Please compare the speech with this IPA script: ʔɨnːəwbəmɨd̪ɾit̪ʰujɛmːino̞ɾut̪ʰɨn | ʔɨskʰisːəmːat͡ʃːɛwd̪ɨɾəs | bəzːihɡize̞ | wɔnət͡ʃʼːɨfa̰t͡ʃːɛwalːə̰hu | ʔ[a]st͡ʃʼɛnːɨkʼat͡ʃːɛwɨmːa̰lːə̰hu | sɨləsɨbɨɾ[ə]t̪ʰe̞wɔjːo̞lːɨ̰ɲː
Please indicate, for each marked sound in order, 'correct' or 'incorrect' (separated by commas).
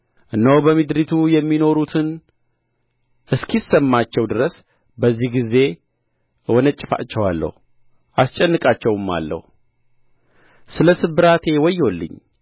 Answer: correct, incorrect